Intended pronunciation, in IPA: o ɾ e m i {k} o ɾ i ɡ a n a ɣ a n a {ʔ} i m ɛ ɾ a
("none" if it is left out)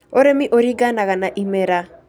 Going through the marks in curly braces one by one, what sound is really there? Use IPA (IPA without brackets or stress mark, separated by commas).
ʔ, ʔ